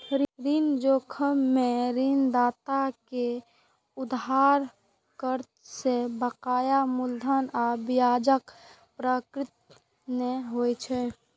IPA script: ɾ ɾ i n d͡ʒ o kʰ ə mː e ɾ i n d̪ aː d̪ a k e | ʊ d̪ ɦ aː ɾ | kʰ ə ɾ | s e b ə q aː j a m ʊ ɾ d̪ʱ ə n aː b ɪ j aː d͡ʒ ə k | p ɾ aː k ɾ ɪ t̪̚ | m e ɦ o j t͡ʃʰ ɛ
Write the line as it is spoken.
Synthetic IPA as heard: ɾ ɾ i n d͡ʒ o kʰ ə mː e ɾ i n d̪ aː t̪ a k e | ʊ d̪ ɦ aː ɾ | k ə ɾ | s e b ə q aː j a m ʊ l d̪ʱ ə n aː b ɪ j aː d͡ʒ ə k | p ɾ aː k ɾ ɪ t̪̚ | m e ɦ o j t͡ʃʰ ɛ